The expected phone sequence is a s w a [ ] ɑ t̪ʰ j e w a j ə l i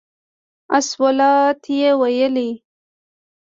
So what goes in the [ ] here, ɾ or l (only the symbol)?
l